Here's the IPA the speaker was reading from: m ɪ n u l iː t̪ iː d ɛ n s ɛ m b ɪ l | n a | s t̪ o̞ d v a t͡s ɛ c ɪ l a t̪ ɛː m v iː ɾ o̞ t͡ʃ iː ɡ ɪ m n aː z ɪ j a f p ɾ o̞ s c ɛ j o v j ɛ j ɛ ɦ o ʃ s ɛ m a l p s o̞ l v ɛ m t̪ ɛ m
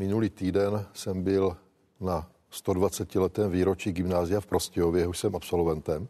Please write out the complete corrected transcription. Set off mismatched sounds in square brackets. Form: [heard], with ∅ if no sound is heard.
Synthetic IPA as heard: m ɪ n u l iː t̪ iː d ɛ n s ɛ m b ɪ l | n a | s t̪ o̞ d v a t͡s ɛ c ɪ l [ɛ] t̪ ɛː m v iː ɾ o̞ t͡ʃ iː ɡ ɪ m n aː z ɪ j a f p ɾ o̞ s c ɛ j o v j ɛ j ɛ ɦ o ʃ s ɛ m a [∅] p s o̞ l v ɛ [n] t̪ ɛ m